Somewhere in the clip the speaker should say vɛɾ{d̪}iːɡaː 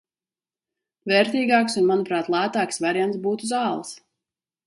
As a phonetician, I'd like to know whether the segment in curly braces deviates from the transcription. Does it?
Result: yes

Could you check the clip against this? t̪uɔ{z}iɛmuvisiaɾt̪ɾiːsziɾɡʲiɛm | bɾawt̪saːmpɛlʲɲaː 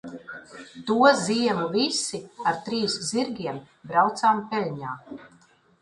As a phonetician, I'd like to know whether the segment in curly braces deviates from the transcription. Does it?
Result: no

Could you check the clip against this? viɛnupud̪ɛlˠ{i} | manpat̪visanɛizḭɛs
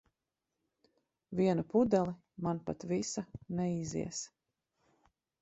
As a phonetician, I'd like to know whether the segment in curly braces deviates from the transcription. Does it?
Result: no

